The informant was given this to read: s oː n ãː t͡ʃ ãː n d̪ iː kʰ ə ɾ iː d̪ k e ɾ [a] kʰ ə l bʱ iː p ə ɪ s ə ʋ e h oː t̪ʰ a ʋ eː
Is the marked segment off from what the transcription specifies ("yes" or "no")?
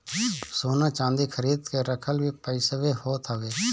yes